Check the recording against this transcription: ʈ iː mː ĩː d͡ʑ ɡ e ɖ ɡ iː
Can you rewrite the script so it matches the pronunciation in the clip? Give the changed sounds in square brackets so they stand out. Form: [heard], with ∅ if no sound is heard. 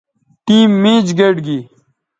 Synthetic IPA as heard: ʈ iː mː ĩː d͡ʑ ɡ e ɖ ɡ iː

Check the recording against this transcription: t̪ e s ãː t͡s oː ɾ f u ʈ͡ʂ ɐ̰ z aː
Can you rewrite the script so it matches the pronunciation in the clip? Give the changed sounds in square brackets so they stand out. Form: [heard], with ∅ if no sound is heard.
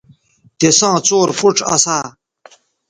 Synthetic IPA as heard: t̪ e s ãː t͡s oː ɾ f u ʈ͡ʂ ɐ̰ [s] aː

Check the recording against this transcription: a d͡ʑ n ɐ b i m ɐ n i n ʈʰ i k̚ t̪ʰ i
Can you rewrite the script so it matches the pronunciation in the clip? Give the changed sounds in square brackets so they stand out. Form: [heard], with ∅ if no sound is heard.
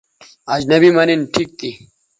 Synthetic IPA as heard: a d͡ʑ n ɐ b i m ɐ n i n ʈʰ i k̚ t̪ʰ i

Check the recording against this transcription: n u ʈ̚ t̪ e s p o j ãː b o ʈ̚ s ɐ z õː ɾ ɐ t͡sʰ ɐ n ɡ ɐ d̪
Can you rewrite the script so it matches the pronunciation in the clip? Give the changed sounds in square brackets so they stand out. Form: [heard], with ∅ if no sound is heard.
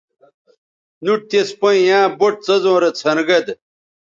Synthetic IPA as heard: n u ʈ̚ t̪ e s p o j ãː b o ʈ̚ [t͡s] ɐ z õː ɾ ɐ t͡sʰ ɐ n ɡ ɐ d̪

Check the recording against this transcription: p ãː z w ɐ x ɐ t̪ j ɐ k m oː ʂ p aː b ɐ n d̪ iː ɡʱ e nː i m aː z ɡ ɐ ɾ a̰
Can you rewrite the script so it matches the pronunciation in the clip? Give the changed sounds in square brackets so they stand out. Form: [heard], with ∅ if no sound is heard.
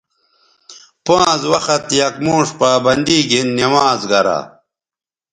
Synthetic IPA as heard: p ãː z w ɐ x ɐ t̪ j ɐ k m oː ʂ p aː b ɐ n d̪ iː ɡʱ [i] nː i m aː z ɡ ɐ ɾ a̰

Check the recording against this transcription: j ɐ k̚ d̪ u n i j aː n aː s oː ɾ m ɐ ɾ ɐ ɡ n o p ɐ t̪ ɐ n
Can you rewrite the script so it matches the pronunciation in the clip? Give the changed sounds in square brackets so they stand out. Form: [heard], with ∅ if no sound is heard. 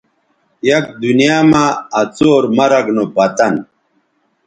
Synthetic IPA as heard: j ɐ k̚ d̪ u n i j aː [m] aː [t͡s] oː ɾ m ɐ ɾ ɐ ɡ n o p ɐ t̪ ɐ n

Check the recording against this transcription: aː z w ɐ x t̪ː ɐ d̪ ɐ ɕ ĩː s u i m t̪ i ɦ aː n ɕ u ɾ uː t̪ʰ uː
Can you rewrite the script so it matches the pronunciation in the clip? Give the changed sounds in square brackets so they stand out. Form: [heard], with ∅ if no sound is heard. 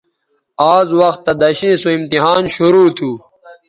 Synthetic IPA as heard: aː z w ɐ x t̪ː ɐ d̪ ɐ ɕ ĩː s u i m t̪ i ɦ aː n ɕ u ɾ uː t̪ʰ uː

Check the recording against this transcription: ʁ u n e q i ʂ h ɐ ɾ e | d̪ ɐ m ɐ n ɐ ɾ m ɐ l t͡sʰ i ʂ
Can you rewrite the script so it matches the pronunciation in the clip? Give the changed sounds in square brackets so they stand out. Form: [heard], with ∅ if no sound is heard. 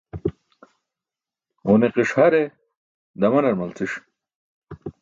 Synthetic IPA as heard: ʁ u n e q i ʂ h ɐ ɾ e | d̪ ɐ m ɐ n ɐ ɾ m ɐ l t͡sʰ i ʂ

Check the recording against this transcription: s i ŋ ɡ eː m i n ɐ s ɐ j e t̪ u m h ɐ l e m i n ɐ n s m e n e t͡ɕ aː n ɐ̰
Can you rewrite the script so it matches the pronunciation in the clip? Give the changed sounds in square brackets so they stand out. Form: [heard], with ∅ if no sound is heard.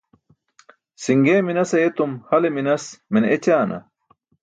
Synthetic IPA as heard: s i ŋ ɡ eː m i n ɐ s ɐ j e t̪ u m h ɐ l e m i n ɐ [∅] s m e n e t͡ɕ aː n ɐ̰

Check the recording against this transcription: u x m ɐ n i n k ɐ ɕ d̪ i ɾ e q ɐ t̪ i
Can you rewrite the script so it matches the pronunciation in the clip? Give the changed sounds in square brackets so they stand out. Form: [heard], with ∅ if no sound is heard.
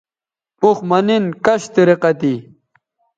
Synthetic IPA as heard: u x m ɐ n i n k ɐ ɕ [t̪] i ɾ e q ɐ t̪ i

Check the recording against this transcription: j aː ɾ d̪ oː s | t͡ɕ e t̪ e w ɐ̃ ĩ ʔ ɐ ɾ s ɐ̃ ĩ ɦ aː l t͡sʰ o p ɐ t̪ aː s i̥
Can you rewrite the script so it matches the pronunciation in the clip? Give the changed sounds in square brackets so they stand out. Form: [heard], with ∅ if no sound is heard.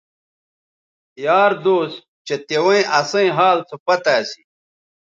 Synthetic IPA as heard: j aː ɾ d̪ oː s | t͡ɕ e t̪ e w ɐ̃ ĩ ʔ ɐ [∅] s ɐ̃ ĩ ɦ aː l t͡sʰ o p ɐ t̪ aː s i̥

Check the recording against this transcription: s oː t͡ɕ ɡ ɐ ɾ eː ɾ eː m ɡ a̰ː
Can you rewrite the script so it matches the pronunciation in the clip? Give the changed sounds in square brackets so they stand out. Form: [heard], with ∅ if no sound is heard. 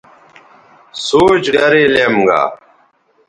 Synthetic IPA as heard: s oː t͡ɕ ɡ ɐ ɾ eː [l] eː m ɡ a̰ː

